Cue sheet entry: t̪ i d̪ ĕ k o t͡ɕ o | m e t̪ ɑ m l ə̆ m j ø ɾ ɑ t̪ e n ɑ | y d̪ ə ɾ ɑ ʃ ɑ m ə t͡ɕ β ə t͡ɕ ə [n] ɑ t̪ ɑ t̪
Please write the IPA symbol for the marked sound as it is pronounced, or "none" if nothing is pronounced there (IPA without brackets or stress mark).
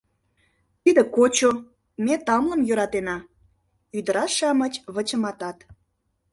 m